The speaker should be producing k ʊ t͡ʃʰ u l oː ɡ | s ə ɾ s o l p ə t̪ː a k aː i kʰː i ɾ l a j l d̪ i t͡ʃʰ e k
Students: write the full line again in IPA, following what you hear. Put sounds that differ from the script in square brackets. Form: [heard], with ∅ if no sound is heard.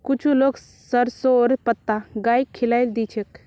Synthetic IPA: k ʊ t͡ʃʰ u l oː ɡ | s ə ɾ s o [ɾ] p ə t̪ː a [ɡ] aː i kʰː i [∅] l a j l d̪ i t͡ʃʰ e k